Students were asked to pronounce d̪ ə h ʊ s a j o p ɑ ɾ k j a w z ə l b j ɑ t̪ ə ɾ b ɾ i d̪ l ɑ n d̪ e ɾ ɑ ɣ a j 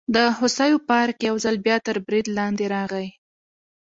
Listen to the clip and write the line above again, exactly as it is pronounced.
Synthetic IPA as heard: d̪ ə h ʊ s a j o p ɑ ɾ k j a w z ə l b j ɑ t̪ ə ɾ b ɾ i d̪ l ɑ n d̪ e ɾ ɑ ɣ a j